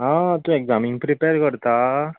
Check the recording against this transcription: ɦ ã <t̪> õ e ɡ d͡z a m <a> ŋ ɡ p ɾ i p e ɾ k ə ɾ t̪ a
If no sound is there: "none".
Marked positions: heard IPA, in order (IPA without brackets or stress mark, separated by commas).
t̪, i